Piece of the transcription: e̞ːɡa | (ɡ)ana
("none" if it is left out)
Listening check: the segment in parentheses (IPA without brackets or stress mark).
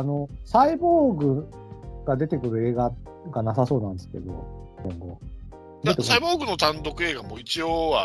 ɡ